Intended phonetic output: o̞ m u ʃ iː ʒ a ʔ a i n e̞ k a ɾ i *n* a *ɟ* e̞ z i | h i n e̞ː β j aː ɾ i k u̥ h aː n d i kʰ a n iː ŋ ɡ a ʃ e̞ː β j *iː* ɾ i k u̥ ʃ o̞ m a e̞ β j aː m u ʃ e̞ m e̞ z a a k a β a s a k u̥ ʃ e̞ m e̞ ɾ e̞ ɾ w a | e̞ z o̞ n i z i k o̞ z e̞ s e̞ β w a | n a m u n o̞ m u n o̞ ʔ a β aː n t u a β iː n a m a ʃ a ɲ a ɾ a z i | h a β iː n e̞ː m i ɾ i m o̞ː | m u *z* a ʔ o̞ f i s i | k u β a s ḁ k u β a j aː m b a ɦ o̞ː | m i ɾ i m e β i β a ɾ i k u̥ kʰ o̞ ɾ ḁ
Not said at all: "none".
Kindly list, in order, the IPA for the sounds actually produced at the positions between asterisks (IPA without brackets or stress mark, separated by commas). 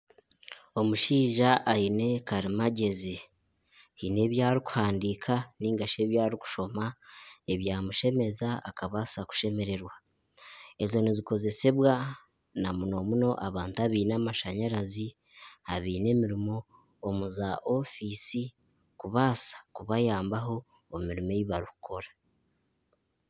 m, ɟ, aː, z